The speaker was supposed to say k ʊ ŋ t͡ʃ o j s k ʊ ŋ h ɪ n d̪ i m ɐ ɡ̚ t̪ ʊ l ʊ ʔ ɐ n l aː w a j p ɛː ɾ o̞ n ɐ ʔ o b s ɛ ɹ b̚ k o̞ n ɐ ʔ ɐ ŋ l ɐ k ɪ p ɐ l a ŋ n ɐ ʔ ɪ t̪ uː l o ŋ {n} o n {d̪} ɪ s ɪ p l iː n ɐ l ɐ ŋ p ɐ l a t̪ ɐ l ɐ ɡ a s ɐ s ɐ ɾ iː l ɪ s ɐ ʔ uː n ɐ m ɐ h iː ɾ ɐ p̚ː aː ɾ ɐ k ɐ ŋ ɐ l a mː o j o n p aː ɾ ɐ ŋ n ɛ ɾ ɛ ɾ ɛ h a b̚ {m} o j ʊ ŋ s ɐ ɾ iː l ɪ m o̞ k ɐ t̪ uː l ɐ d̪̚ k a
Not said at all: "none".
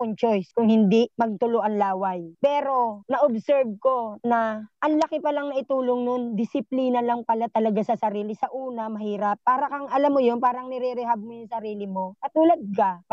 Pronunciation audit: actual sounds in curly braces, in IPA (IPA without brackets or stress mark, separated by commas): n, d̪, m